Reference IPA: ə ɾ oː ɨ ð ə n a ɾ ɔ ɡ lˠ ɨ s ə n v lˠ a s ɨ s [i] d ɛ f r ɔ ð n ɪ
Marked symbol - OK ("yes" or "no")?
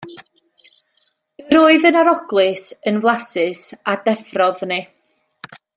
no